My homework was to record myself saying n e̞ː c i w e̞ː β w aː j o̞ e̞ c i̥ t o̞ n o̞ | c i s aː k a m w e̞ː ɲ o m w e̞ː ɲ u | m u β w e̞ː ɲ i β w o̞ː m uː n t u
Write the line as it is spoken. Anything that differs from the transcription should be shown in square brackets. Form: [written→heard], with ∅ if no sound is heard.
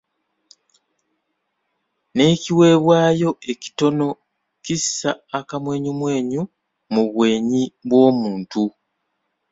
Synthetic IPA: n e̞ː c i w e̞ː β w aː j o̞ e̞ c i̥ t o̞ n o̞ | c i s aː k a m w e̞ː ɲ [o→u] m w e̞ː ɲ u | m u β w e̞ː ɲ i β w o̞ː m uː n t u